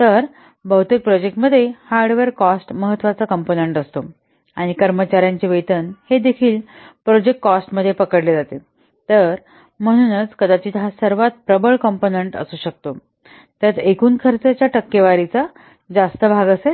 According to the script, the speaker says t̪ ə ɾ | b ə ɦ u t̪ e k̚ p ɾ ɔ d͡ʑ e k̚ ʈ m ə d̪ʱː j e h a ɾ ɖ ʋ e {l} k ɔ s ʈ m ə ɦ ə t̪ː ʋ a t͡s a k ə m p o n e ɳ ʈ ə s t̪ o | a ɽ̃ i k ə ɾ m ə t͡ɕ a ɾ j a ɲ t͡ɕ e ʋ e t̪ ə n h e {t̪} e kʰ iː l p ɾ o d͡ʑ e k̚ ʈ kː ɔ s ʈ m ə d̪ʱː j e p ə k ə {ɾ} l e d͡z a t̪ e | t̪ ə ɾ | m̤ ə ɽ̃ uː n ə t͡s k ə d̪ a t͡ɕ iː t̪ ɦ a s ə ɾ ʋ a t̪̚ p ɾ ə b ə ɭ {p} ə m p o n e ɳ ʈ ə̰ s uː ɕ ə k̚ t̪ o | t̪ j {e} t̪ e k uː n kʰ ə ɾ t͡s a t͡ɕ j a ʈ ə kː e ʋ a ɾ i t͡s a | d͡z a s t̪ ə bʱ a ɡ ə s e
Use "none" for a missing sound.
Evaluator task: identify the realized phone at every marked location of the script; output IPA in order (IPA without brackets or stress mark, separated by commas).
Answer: ɾ, d̪, ɽ, k, a